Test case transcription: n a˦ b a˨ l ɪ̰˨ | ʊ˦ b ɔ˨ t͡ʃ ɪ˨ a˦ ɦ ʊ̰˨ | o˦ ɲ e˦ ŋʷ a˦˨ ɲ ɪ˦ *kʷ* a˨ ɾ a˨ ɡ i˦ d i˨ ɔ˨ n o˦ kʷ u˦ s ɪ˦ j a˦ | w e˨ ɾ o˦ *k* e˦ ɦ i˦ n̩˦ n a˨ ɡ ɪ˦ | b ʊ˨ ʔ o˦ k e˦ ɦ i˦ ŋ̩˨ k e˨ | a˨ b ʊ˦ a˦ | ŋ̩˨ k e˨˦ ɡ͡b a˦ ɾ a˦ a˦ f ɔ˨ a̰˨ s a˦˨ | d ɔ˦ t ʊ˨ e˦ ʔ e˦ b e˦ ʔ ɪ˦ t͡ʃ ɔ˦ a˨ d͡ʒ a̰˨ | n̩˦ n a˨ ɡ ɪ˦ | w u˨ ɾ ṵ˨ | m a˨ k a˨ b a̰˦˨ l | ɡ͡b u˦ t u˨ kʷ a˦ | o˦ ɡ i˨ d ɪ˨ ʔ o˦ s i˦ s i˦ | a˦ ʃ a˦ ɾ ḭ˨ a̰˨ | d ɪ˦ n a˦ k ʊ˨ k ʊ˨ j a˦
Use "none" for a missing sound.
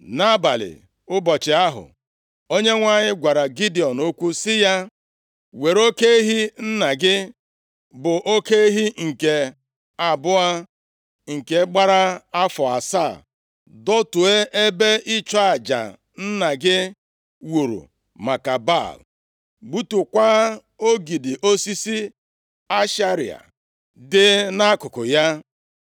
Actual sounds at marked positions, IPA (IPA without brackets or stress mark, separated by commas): ɡʷ, k